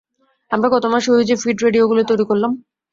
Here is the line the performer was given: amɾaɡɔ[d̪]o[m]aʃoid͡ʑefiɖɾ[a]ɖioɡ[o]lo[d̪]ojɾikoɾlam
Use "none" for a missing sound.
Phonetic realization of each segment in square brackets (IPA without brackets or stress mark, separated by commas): t̪, m, e, u, t̪